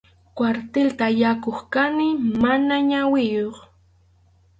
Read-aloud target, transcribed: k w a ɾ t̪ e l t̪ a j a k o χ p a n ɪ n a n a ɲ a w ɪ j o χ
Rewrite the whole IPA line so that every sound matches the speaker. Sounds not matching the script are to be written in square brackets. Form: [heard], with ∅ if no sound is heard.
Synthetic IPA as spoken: k w a ɾ t̪ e l t̪ a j a k o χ [k] a n ɪ [m] a n a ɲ a w ɪ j o χ